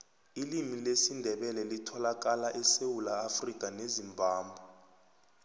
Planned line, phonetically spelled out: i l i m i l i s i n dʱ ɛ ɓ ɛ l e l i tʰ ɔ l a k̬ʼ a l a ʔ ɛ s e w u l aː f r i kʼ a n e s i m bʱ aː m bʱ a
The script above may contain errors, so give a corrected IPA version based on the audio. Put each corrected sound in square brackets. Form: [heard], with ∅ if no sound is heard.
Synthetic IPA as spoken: i l i m i l [e] s i n dʱ ɛ ɓ ɛ l [ɛ] l i tʰ ɔ l a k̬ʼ a l a ʔ ɛ s e w u l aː f r i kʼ a n e [z] i m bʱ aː m bʱ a